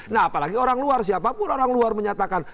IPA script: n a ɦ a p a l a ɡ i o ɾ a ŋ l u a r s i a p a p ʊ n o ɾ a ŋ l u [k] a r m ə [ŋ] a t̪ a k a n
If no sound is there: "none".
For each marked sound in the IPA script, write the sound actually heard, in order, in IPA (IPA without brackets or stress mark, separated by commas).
none, ɲ